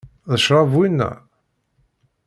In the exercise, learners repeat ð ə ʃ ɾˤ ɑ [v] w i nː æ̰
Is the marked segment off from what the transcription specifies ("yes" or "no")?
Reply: no